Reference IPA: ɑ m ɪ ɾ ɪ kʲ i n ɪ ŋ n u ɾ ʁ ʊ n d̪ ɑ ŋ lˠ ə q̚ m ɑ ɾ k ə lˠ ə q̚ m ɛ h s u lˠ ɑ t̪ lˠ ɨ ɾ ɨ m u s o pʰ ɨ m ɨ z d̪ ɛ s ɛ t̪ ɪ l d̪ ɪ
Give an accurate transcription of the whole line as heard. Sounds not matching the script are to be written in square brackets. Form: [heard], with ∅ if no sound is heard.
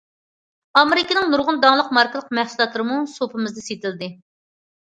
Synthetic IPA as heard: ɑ m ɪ ɾ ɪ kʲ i n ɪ ŋ n u ɾ ʁ ʊ n d̪ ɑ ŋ lˠ ə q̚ m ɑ ɾ k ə lˠ ə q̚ m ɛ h s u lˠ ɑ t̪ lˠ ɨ ɾ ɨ m u s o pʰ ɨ m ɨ z d̪ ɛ s [e] t̪ ɪ l d̪ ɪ